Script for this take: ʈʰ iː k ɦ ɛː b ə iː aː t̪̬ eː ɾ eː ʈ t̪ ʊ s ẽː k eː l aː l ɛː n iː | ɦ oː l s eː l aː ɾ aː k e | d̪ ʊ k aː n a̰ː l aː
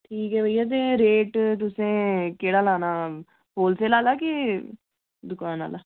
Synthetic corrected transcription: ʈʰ iː k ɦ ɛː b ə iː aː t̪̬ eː ɾ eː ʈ t̪ ʊ s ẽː k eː ɽ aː l aː n aː | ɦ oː l s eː l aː l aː k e | d̪ ʊ k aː n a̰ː l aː